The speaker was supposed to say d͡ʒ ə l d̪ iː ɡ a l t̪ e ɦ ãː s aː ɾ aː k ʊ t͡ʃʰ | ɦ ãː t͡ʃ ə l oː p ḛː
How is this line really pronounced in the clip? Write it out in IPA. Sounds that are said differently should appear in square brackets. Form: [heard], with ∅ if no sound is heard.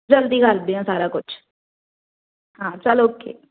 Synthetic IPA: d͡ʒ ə l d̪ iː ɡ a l [d̪] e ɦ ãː s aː ɾ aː k ʊ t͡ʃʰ | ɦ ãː t͡ʃ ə l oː [k] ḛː